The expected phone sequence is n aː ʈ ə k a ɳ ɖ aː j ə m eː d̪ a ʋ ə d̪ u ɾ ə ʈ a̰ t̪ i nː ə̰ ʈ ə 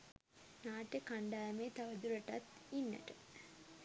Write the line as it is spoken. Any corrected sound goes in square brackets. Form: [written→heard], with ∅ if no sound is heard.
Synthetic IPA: n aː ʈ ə k a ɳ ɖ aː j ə m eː [d̪→t̪] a ʋ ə d̪ u ɾ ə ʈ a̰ t̪ i nː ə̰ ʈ ə